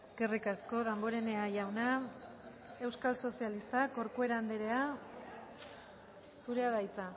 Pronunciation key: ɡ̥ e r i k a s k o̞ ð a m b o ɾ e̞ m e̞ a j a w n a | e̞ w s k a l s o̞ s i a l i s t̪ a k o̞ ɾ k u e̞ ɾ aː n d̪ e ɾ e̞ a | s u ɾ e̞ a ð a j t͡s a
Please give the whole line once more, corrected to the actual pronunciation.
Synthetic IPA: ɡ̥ e r i k a s k o̞ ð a m b o ɾ e̞ n e̞ a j a w n a | e̞ w s k a l s o̞ s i a l i s t̪ a k o̞ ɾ k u e̞ ɾ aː n d̪ e ɾ e̞ a | s u ɾ e̞ a ð a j t͡s a